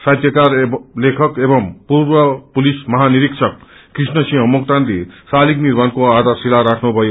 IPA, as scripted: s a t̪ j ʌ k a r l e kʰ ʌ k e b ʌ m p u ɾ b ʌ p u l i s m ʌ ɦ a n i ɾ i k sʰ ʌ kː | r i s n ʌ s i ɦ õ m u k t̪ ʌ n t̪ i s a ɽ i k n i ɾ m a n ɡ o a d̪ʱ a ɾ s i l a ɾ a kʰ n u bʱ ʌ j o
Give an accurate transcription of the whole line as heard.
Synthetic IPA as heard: s a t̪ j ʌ k a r l e kʰ ʌ k e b ʌ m p u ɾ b ʌ p u l i s m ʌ ɦ a n i ɾ i k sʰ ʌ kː | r i s n ʌ s i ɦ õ m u k t̪ a n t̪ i s a l i k n i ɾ m a n k o a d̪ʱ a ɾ s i l a ɾ a kʰ n u bʱ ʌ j o

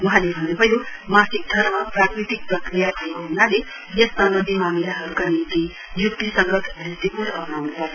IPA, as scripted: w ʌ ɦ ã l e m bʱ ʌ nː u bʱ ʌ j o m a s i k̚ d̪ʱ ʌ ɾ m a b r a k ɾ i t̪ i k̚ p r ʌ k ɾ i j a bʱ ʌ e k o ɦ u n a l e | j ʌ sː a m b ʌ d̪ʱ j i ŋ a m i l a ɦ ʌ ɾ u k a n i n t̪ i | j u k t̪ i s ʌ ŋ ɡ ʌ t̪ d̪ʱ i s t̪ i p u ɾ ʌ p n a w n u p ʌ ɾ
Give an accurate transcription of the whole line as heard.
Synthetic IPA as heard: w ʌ ɦ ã l e bʱ ʌ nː u bʱ ʌ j o m a s i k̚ d̪ʱ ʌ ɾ m a p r a k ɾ i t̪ i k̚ p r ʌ k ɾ i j a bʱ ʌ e k o ɦ u n a l e | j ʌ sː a m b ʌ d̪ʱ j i m a m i l a ɦ ʌ ɾ u k a n i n t̪ i | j u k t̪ i s ʌ ŋ ɡ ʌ t̪ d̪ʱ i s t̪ i p u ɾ ʌ p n a w n u p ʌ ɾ

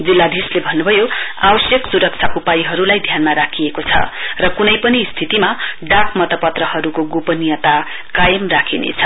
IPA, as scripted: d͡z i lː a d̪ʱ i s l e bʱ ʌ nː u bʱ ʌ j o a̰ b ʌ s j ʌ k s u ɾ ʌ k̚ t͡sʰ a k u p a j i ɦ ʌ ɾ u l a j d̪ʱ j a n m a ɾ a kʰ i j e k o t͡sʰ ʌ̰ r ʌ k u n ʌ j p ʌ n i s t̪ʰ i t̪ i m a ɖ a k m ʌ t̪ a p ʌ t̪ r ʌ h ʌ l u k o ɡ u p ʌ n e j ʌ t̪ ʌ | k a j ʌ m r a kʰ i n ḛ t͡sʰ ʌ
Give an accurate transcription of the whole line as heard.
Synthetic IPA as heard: d͡z i lː a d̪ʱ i s l e bʱ ʌ nː u bʱ ʌ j o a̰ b ʌ s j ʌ k s u ɾ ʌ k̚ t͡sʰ a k u p a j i ɦ ʌ ɾ u l a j d̪ʱ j a n m a ɾ a kʰ i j e k o t͡sʰ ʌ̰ r ʌ k u n ʌ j p ʌ n i s t̪ʰ i t̪ i m a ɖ a k m ʌ t̪ ʌ p ʌ t̪ r ʌ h ʌ ɾ u k o ɡ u p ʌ n i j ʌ t̪ a | k a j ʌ m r a kʰ i n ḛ t͡sʰ ʌ

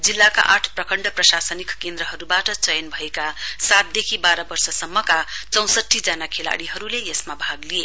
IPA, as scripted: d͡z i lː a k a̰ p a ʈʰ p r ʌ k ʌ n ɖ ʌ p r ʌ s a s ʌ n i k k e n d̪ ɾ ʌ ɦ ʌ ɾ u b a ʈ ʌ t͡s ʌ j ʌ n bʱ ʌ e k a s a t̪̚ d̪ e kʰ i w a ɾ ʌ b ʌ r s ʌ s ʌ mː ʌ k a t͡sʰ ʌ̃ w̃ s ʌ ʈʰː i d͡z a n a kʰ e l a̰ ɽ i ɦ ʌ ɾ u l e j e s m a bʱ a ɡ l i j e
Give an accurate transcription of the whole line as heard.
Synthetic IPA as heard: d͡z i lː a k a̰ ʔ a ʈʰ p r ʌ k ʌ ɳ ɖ ʌ p r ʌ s a s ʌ n i k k e n d̪ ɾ ʌ ɦ ʌ ɾ u b a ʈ ʌ t͡s ʌ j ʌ n bʱ ʌ e k a s a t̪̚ d̪ e kʰ i b a ɾ ʌ b ʌ r s ʌ s ʌ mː ʌ k a t͡s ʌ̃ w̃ s ʌ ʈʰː i d͡z a n a kʰ e l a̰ ɽ i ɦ ʌ ɾ u l e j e s m a bʱ a ɡ l i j e

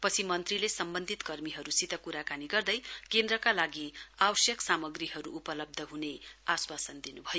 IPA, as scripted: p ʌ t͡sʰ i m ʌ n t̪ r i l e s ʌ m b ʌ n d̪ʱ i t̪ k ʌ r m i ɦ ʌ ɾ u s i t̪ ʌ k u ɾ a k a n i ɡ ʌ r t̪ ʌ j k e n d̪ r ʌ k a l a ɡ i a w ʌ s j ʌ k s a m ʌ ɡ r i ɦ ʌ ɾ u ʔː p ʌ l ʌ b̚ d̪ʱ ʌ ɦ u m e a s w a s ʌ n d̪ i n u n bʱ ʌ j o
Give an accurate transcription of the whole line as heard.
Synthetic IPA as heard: p ʌ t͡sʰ i m ʌ n t̪ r i l e s ʌ m b ʌ n d̪ʱ i t̪ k ʌ r m i ɦ ʌ ɾ u s i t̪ ʌ k u ɾ a k a n i ɡ ʌ r d̪ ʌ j k e n d̪ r ʌ k a l a ɡ i a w ʌ s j ʌ k s a m ʌ ɡ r i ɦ ʌ ɾ u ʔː p ʌ l ʌ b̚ d̪ʱ ʌ ɦ u n e a s w a s ʌ n d̪ i n u bʱ ʌ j o

